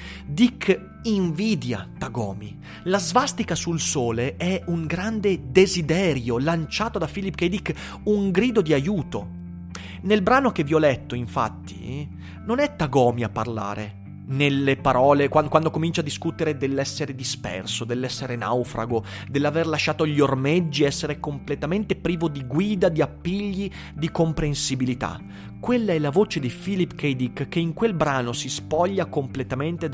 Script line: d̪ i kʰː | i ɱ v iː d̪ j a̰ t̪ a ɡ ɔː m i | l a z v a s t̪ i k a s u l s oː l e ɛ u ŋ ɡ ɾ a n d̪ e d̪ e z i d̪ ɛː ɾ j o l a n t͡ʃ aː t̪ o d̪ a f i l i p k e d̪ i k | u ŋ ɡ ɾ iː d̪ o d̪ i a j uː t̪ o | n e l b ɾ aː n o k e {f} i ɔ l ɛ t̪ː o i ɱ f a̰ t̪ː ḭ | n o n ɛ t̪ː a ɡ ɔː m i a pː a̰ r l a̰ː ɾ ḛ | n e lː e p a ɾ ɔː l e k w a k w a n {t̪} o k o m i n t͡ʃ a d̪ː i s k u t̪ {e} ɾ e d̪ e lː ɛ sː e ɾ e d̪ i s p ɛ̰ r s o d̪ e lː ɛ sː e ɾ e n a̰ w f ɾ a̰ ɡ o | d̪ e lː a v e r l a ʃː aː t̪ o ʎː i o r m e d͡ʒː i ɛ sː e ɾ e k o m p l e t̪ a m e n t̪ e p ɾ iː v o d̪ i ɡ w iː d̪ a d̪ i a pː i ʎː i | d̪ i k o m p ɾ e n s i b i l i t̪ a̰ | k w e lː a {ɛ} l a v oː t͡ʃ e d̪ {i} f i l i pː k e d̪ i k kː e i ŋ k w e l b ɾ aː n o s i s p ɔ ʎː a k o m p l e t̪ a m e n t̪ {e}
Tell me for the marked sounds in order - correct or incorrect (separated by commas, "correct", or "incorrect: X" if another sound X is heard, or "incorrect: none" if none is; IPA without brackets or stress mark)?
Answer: incorrect: v, incorrect: d̪, correct, correct, correct, correct